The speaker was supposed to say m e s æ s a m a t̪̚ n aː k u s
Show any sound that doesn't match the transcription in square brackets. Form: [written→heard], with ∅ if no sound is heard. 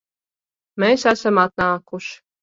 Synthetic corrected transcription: m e s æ s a m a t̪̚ n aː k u [s→ʃ]